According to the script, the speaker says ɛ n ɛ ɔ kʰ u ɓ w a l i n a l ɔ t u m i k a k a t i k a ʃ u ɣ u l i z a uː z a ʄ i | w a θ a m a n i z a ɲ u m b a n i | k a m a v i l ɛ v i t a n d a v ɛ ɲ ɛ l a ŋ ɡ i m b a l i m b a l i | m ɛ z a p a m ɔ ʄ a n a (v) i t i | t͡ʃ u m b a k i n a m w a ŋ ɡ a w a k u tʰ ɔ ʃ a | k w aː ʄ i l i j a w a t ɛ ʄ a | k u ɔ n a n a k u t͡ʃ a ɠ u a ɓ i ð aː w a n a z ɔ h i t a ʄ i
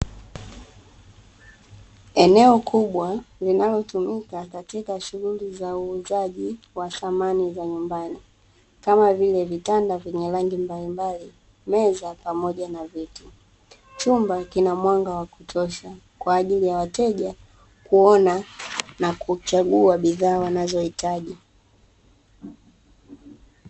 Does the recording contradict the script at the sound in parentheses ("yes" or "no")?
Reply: no